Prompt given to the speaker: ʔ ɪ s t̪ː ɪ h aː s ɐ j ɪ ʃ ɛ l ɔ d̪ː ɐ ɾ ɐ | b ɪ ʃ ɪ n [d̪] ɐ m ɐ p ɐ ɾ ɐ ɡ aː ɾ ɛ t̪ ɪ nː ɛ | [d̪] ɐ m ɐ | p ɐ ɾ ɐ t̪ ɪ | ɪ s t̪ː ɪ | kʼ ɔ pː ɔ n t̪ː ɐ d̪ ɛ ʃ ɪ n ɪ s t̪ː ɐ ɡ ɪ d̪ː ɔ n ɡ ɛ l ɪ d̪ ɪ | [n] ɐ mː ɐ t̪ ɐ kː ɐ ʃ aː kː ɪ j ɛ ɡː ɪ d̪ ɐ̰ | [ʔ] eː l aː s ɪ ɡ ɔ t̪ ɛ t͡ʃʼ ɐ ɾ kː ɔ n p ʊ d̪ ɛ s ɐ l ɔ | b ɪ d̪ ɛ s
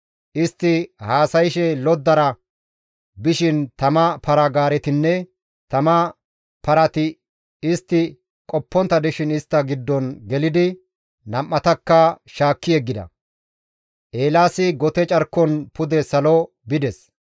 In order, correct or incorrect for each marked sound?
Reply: incorrect, incorrect, correct, correct

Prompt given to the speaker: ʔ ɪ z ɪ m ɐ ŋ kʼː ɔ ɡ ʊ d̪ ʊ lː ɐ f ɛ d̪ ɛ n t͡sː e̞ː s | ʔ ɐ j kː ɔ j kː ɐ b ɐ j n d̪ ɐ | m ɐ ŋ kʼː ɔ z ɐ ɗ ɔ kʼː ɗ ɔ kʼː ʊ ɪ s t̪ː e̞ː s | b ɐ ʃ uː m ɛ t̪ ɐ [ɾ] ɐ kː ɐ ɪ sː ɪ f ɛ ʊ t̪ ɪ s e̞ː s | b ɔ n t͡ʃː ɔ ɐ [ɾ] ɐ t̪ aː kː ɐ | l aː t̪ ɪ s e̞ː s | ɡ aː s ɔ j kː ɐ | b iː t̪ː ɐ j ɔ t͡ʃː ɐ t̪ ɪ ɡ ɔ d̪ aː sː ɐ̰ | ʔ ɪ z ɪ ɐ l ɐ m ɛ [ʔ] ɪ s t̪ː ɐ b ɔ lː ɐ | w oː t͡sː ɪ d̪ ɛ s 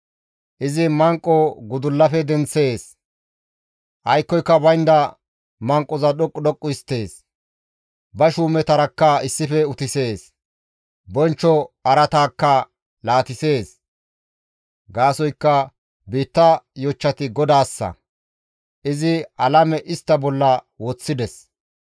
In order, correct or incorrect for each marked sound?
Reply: correct, correct, correct

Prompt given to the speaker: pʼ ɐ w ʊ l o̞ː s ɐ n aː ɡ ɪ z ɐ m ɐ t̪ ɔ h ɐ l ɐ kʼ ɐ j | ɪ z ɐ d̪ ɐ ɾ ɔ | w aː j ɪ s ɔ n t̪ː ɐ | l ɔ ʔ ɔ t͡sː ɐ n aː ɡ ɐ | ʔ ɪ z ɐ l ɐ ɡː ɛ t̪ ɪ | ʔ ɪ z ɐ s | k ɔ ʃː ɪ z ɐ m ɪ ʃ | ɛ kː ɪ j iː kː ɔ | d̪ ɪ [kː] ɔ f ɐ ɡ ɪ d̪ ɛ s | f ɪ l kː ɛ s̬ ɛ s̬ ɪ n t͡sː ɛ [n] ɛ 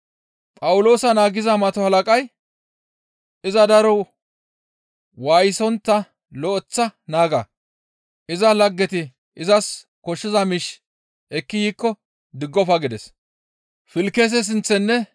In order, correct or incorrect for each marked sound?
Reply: incorrect, incorrect

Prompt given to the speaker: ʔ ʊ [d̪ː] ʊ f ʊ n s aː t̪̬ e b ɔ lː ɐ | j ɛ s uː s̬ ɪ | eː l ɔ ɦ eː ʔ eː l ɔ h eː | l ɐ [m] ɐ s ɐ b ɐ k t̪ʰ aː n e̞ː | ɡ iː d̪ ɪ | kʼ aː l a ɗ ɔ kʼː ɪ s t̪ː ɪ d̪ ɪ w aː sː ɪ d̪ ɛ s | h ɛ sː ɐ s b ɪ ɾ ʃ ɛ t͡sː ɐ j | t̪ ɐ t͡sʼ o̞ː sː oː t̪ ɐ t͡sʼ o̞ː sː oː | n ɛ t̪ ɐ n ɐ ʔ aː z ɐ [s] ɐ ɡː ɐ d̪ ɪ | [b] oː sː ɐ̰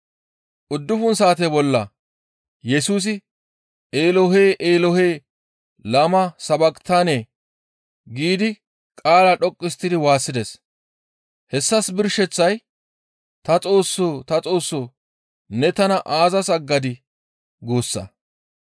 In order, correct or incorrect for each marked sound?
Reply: correct, correct, correct, incorrect

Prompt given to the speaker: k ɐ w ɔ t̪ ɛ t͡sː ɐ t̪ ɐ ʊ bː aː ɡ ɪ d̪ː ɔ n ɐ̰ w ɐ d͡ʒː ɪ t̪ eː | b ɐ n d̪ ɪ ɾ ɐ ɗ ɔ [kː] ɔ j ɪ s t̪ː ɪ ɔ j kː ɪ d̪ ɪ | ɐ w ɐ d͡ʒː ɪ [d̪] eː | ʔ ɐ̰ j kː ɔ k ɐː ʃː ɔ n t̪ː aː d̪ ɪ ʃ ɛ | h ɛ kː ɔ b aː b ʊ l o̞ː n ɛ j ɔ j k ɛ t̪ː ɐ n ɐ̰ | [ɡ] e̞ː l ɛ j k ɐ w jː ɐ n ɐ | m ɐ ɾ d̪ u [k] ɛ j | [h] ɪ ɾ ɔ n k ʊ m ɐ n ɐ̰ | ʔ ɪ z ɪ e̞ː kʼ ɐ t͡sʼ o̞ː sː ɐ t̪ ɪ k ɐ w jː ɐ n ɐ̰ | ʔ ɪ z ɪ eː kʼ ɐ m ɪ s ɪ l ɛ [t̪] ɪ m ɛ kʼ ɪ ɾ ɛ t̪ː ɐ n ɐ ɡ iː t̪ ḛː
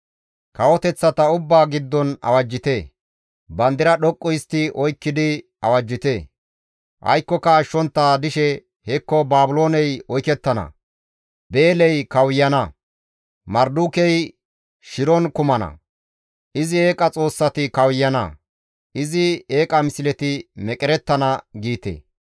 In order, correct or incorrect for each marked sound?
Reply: incorrect, incorrect, incorrect, correct, incorrect, correct

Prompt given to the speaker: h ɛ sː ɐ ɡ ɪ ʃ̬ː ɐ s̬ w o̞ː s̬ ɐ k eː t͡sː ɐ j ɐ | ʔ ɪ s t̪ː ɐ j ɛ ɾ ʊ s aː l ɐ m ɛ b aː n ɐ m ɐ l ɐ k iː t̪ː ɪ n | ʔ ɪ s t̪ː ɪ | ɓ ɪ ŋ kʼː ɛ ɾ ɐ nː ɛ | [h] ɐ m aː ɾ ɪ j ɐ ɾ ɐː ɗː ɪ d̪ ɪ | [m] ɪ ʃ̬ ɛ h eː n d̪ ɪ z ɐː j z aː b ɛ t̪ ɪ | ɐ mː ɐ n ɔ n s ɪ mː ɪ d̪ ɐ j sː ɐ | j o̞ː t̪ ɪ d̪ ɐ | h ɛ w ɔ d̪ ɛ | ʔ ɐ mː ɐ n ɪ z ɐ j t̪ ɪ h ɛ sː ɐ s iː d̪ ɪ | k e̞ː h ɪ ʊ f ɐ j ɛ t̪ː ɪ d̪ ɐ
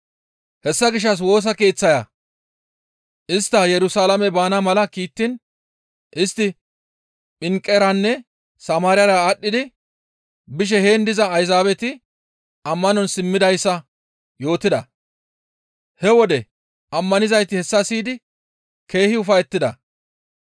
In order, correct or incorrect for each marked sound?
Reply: incorrect, incorrect

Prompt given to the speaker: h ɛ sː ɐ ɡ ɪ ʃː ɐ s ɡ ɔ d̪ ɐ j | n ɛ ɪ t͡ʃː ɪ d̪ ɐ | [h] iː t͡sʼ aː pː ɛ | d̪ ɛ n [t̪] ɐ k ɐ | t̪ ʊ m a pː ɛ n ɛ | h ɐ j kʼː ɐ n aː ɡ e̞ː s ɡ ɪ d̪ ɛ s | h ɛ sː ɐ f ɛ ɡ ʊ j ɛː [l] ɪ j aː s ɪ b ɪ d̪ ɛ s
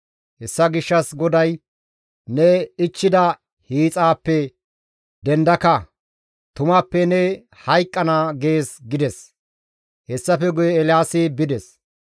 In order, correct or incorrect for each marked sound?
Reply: correct, incorrect, correct

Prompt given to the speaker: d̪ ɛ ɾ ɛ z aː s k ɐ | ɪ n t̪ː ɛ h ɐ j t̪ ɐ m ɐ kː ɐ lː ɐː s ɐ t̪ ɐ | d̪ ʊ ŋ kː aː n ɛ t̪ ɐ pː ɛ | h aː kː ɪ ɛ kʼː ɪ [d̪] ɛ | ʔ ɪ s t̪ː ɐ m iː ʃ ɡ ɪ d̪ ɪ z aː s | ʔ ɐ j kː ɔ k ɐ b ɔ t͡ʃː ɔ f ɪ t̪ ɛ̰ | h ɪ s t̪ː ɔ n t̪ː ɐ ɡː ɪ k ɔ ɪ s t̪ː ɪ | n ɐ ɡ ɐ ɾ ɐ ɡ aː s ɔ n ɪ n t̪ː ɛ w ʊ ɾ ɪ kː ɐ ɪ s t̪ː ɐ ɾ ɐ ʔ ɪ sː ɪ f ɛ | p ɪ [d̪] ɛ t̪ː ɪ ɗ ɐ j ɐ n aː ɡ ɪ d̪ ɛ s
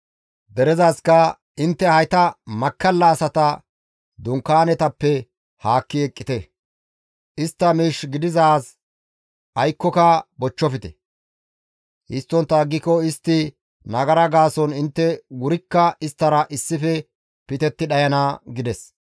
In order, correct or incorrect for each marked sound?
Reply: incorrect, incorrect

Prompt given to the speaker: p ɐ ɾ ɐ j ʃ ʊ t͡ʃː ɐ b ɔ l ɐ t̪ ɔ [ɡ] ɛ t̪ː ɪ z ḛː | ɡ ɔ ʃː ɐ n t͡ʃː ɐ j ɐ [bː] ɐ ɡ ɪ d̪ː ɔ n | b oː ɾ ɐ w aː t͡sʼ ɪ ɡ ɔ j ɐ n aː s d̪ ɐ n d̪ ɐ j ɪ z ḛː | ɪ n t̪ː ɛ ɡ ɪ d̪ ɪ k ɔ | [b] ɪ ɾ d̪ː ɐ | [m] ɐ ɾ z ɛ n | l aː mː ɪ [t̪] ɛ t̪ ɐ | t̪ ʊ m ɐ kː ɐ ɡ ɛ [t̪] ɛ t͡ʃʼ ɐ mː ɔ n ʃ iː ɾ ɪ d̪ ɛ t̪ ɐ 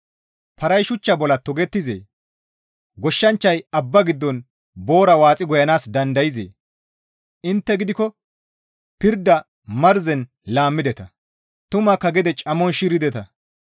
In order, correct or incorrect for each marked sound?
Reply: correct, correct, incorrect, correct, incorrect, incorrect

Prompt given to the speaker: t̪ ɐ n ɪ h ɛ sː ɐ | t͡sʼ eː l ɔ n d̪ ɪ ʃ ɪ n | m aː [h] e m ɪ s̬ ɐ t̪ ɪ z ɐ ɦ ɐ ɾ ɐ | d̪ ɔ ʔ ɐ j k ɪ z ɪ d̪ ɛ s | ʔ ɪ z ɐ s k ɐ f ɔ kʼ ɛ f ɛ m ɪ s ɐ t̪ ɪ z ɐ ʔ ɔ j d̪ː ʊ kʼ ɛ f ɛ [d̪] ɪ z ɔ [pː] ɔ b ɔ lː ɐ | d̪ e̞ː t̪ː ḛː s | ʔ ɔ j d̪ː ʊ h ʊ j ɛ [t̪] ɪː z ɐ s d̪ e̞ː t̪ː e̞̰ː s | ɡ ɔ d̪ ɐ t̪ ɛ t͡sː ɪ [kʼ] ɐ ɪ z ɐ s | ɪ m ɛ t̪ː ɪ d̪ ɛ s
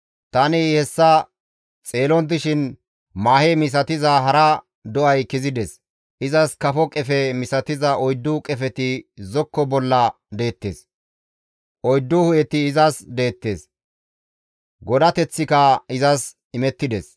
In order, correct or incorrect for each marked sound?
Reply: correct, incorrect, incorrect, correct, incorrect

